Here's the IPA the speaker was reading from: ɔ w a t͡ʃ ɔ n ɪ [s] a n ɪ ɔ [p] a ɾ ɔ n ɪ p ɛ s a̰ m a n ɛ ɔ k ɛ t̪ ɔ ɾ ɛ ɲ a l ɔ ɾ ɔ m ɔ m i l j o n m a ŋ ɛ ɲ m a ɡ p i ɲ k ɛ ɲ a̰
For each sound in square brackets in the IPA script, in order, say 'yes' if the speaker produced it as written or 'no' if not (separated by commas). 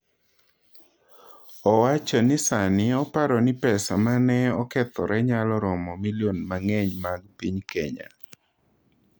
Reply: yes, yes